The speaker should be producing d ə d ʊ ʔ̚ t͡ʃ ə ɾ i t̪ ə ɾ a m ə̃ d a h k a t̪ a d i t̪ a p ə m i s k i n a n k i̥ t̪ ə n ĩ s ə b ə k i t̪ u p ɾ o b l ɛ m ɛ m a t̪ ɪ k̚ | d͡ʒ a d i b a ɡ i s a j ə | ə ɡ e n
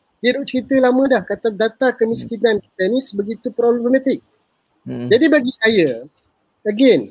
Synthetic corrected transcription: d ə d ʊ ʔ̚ t͡ʃ ə ɾ i t̪ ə l a m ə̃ d a h k a t̪ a d a t̪ a k ə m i s k i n a n k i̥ t̪ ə n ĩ s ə b ə ɡ i t̪ u p ɾ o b l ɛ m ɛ m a t̪ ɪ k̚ | d͡ʒ a d i b a ɡ i s a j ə | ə ɡ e n